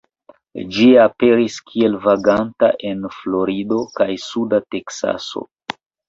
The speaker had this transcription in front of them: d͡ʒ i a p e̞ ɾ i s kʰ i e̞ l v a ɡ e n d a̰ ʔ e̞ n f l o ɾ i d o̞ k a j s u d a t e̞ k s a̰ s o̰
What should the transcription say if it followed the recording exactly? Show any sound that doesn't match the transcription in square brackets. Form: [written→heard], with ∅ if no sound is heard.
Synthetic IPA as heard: d͡ʒ i a p e̞ ɾ i s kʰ i e̞ l v a ɡ [e→a] n [d→t] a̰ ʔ e̞ n f l o ɾ i d o̞ k a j s u d a t e̞ k s a̰ s o̰